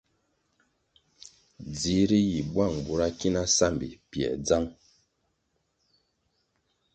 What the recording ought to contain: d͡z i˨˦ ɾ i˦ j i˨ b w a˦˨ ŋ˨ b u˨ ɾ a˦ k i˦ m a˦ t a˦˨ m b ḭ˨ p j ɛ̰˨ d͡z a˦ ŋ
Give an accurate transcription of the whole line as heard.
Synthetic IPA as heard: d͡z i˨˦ ɾ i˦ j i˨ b w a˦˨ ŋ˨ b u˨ ɾ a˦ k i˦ n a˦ s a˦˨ m b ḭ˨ p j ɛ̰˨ d͡z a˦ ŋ